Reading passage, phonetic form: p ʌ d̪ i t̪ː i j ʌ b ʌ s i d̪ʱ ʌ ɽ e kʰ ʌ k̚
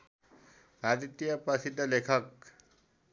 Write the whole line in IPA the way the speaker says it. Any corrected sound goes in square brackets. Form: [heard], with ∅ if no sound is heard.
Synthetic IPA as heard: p [a] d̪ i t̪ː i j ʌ [p] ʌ s i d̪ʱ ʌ [l] e kʰ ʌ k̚